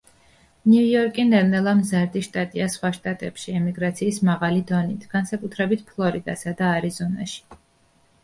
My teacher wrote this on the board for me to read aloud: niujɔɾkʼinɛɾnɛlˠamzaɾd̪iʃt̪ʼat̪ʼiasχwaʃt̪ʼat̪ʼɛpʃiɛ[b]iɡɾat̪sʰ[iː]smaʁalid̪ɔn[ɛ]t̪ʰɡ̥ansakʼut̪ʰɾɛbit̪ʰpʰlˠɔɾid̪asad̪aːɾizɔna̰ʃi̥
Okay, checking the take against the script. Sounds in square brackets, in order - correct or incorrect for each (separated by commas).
incorrect, correct, incorrect